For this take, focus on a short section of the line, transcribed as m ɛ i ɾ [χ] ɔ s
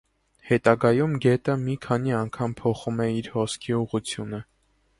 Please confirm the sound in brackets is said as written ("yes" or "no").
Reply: no